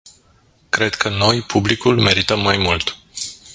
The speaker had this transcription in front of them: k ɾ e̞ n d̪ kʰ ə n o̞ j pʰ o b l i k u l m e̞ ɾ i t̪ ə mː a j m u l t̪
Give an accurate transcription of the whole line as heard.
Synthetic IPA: k ɾ e̞ d̪ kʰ ə n o̞ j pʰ u b l i k u l m e̞ ɾ i t̪ ə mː a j m u l t̪